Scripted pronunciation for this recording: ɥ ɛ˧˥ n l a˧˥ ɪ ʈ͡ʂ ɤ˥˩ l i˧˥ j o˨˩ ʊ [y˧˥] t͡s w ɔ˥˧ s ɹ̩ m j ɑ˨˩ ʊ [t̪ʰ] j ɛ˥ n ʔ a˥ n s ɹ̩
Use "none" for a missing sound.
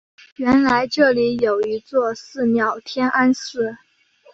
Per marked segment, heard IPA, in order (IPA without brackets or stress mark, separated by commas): i˧˥, t̪ʰ